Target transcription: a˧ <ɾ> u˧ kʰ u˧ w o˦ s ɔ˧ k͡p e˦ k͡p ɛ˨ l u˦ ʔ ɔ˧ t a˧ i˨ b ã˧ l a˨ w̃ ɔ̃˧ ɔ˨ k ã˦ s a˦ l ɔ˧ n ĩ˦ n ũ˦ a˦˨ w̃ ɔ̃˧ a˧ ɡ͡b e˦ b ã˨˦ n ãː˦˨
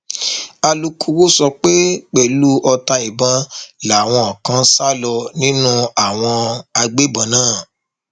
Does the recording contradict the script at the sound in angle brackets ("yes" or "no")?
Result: yes